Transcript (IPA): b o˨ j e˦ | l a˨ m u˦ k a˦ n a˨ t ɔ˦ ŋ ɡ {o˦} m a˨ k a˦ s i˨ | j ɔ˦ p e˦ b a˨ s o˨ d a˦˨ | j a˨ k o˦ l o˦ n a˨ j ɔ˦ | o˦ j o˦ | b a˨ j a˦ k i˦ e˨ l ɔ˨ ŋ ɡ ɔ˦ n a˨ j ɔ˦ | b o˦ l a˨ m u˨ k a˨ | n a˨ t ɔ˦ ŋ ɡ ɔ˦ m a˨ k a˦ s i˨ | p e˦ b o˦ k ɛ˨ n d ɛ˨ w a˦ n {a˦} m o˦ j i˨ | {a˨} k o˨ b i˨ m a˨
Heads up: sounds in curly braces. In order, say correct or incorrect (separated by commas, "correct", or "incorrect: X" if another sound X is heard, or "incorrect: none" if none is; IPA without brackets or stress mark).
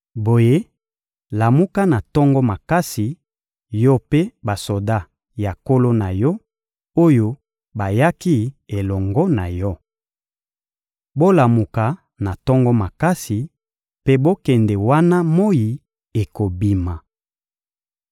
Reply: incorrect: ɔ˦, correct, incorrect: e˨